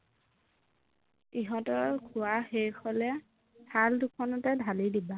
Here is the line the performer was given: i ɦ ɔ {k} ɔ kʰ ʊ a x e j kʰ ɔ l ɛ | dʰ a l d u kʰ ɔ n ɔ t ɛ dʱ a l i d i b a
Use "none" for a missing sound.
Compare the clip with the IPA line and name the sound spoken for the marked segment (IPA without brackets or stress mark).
t